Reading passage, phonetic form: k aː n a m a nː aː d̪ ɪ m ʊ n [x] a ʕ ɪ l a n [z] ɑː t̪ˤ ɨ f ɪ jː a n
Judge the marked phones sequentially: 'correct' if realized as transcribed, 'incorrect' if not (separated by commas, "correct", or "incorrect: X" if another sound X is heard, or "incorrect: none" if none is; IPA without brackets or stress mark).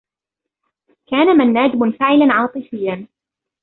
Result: incorrect: f, incorrect: ʕ